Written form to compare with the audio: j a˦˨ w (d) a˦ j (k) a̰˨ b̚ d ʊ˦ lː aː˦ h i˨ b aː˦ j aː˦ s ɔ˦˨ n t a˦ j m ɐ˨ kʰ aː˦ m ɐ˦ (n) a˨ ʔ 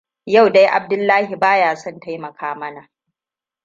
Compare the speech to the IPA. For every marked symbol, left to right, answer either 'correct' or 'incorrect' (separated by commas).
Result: correct, incorrect, correct